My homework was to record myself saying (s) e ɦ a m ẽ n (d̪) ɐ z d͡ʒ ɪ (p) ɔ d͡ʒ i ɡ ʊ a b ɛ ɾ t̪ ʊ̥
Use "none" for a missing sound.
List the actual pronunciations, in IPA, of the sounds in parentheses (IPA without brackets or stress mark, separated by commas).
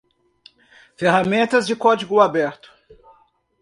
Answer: f, t̪, k